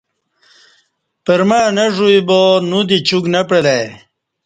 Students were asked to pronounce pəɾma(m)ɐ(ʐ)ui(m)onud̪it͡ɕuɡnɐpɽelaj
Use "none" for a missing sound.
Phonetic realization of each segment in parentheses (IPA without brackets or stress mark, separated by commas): n, ʐ, b